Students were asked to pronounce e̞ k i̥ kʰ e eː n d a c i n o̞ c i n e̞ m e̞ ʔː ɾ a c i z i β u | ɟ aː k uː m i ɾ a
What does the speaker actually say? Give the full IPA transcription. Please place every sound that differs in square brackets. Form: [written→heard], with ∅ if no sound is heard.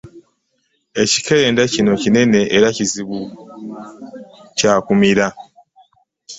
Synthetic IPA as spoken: e̞ [k→c] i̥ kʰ e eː n d a c i n o̞ c i n e̞ [m→n] e̞ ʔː ɾ a c i z i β u | [ɟ→c] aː k [uː→u] m i ɾ a

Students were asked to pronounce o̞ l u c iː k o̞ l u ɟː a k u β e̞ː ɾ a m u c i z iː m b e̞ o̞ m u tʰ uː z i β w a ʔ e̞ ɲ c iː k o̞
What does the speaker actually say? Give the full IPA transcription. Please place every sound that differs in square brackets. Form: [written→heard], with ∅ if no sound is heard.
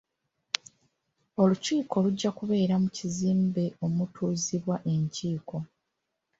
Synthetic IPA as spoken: o̞ l u c iː k o̞ l u ɟː a k u β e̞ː ɾ a m u c i z iː m b e̞ o̞ m u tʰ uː z i β w a ʔ e̞ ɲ c iː k o̞

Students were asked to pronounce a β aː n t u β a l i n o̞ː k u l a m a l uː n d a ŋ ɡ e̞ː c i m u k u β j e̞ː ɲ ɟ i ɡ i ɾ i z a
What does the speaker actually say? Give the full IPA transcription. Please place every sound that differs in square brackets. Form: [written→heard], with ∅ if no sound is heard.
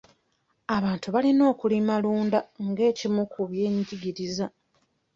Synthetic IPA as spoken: a β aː n t u β a l i n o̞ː k u l [a→i] m a l uː n d a ŋ ɡ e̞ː c i m u k u β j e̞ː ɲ ɟ i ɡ i ɾ i z a

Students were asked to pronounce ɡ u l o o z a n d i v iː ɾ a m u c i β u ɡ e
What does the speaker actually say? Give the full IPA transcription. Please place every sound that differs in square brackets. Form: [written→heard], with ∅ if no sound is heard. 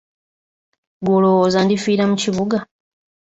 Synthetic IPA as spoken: ɡ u l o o z a n d i [v→f] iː ɾ a m u c i β u ɡ [e→a]

